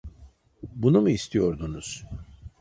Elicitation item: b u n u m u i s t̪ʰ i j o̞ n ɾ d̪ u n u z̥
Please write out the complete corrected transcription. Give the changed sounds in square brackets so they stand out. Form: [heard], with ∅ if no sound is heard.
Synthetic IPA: b u n u m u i s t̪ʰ i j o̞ [∅] ɾ d̪ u n u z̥

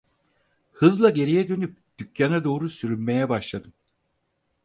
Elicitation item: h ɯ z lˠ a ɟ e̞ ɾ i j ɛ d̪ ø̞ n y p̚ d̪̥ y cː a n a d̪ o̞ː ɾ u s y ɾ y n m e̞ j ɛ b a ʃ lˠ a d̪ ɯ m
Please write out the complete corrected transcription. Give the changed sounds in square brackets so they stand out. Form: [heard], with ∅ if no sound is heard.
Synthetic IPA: h ɯ z lˠ a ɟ e̞ ɾ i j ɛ d̪ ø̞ n y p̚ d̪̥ y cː a n a d̪ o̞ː ɾ u s y ɾ y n m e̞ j ɛ b a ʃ lˠ a d̪ ɯ m

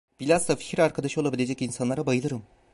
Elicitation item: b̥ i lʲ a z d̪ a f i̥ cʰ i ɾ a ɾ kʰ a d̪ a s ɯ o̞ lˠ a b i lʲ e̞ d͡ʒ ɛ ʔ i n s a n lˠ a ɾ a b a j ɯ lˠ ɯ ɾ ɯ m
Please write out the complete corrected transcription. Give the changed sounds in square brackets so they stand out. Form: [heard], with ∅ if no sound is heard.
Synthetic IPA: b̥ i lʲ a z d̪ a f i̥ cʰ i ɾ a ɾ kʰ a d̪ a [ʃ] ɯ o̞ lˠ a b i lʲ e̞ d͡ʒ ɛ [c] i n s a n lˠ a ɾ a b a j ɯ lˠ ɯ ɾ ɯ m

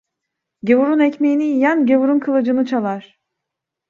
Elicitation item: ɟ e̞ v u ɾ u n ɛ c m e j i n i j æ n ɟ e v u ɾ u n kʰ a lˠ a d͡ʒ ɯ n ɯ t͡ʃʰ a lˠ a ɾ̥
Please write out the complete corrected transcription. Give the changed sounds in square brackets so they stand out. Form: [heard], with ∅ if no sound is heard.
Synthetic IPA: ɟ e̞ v u ɾ u n ɛ c m e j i n i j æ n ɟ e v u ɾ u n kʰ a lˠ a d͡ʒ ɯ n ɯ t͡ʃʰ a lˠ a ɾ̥

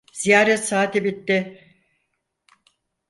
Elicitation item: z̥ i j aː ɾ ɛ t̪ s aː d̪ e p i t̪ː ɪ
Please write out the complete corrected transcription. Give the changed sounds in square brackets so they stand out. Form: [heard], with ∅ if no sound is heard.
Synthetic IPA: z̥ i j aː ɾ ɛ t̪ s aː [t̪] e [b] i t̪ː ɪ

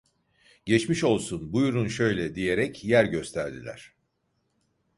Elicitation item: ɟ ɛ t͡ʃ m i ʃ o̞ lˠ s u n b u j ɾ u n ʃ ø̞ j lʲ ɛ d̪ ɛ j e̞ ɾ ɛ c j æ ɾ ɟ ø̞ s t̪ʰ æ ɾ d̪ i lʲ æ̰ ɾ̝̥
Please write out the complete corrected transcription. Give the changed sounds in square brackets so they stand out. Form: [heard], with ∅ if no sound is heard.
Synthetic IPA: ɟ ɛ t͡ʃ m i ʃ o̞ lˠ s u n b u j ɾ u n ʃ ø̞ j lʲ ɛ d̪ [i] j e̞ ɾ ɛ c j æ ɾ ɟ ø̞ s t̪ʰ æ ɾ d̪ i lʲ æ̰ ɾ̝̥

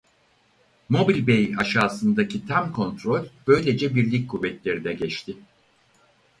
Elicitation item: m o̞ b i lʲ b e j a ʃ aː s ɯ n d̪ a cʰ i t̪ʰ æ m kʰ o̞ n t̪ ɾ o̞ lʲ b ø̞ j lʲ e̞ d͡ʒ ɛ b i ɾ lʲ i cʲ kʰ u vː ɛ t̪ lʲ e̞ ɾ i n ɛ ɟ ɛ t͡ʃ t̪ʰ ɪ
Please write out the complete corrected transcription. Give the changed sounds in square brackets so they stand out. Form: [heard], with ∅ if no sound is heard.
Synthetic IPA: m o̞ b i lʲ b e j a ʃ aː s ɯ n d̪ a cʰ i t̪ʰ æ m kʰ o̞ n t̪ ɾ o̞ lʲ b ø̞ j lʲ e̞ d͡ʒ ɛ b i ɾ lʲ i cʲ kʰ u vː ɛ t̪ lʲ e̞ ɾ i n ɛ ɟ ɛ t͡ʃ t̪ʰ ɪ

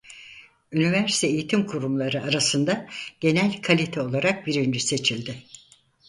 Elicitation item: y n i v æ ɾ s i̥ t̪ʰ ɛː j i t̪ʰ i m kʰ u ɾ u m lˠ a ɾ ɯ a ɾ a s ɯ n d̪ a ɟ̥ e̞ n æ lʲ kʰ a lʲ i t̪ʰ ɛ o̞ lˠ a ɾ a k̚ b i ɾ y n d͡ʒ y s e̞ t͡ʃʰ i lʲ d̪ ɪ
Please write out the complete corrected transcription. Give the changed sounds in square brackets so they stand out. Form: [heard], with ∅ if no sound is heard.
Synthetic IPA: y n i v æ ɾ s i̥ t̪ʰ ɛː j i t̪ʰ i m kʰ u ɾ u m lˠ a ɾ ɯ a ɾ a s ɯ n d̪ a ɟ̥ e̞ n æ lʲ kʰ a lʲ i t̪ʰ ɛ o̞ lˠ a ɾ a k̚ b i ɾ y n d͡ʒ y s e̞ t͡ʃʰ i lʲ d̪ ɪ

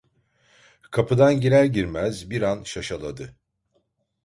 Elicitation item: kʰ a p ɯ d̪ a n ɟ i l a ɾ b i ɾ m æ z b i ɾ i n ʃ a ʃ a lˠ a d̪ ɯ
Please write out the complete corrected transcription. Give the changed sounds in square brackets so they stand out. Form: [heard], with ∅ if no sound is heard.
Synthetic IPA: kʰ a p ɯ d̪ a n ɟ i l [æ] ɾ [ɟ] i ɾ m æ z b i ɾ [a] n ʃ a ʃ a lˠ a d̪ ɯ

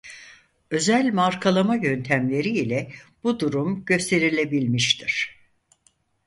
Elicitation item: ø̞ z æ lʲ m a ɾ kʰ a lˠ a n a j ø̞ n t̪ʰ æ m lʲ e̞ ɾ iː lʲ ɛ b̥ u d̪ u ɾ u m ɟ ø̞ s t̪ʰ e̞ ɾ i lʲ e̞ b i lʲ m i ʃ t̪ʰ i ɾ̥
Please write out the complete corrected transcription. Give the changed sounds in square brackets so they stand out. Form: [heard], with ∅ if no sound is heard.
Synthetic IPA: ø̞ z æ lʲ m a ɾ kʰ a lˠ a [m] a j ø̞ n t̪ʰ æ m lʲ e̞ ɾ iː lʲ ɛ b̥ u d̪ u ɾ u m ɟ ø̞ s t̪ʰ e̞ ɾ i lʲ e̞ b i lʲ m i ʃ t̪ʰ i ɾ̥

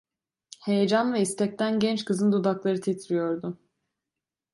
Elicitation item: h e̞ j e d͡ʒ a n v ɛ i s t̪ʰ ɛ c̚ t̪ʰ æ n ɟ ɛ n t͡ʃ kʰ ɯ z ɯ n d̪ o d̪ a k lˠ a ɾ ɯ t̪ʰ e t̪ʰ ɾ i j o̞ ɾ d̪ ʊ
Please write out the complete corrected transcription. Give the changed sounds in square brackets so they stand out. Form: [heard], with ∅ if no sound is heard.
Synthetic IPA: h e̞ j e d͡ʒ a n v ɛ i s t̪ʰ ɛ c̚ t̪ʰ æ n ɟ ɛ n t͡ʃ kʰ ɯ z ɯ n d̪ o d̪ a k lˠ a ɾ ɯ t̪ʰ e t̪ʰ ɾ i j o̞ ɾ d̪ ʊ

